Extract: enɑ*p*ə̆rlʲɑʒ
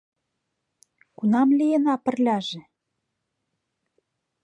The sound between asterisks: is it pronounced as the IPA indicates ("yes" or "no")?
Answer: yes